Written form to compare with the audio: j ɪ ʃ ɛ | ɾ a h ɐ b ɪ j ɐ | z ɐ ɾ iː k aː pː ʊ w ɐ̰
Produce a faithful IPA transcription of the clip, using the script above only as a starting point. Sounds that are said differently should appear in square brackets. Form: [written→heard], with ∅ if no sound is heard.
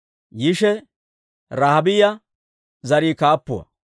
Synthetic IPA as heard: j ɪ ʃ ɛ | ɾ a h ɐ b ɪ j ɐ | z ɐ ɾ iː k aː pː ʊ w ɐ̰